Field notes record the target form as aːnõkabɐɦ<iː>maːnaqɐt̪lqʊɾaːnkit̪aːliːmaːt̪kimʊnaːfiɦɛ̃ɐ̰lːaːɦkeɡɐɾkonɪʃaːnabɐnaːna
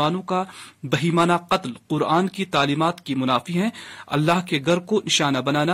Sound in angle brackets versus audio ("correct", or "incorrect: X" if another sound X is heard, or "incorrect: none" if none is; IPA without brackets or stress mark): correct